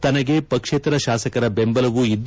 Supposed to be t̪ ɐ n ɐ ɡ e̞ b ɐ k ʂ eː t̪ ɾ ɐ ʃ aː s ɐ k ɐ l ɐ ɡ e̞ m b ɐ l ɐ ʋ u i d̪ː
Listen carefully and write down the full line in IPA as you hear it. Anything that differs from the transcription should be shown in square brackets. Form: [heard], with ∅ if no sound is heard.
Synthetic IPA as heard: t̪ ɐ n ɐ ɡ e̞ [p] ɐ k ʂ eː t̪ ɾ ɐ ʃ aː s ɐ k ɐ [ɾ] ɐ [b] e̞ m b ɐ l ɐ ʋ u i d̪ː